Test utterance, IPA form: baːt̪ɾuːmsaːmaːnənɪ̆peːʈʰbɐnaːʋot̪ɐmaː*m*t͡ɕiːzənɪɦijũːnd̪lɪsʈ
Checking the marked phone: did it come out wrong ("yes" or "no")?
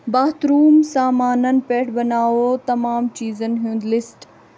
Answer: no